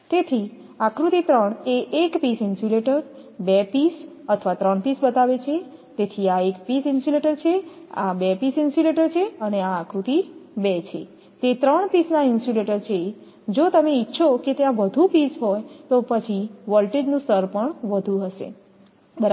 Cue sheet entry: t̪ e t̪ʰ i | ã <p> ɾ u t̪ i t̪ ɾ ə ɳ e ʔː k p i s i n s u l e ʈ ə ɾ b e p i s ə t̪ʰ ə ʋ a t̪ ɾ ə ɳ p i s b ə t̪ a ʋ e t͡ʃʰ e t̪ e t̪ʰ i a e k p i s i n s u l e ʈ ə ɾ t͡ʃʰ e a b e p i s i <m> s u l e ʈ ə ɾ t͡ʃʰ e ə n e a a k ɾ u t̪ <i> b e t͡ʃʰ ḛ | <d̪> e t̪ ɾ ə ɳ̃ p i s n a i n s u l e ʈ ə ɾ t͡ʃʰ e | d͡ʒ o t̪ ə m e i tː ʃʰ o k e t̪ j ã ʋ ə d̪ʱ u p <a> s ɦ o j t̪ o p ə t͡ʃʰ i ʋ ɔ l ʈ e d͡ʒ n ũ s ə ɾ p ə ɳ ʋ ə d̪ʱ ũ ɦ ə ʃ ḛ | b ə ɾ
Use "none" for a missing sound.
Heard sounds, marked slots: k, n, i, t̪, i

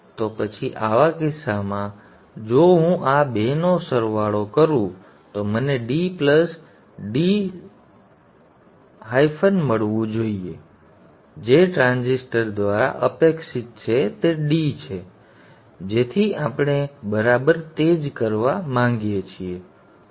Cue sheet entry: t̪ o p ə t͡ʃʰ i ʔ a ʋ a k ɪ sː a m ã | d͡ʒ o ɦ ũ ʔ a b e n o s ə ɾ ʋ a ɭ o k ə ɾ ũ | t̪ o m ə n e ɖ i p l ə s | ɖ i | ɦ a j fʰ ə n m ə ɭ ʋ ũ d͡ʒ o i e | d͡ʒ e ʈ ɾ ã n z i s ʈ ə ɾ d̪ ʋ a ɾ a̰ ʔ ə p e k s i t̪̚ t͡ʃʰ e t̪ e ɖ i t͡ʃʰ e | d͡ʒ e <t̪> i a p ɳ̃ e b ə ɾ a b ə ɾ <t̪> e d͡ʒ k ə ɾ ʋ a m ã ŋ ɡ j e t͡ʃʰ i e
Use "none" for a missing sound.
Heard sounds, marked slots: t̪ʰ, t̪

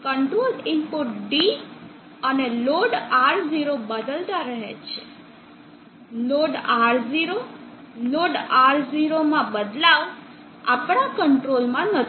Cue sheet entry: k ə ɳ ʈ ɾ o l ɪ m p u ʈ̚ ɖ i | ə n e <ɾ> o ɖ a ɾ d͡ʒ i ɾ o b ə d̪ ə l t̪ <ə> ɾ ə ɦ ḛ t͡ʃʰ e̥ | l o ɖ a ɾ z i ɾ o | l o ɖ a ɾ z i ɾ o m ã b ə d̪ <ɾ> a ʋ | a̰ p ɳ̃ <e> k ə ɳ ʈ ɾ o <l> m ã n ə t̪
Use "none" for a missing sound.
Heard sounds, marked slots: l, a, l, a, l

